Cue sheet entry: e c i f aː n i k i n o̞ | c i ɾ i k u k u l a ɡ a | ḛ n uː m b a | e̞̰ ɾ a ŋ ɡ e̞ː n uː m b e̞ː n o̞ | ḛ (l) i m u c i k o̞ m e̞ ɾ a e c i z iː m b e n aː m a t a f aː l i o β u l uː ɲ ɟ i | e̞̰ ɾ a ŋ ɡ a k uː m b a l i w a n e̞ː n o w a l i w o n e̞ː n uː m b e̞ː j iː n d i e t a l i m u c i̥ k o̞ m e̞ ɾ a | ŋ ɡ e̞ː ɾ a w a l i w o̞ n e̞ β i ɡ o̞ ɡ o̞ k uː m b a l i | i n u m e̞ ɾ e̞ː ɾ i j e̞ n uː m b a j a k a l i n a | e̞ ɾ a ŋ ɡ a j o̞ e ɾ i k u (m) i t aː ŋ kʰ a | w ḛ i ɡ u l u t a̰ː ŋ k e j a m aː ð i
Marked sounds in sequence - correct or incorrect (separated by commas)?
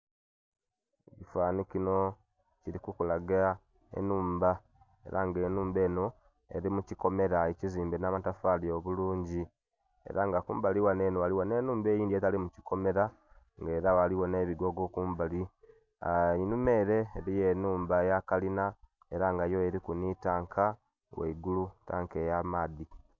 incorrect, incorrect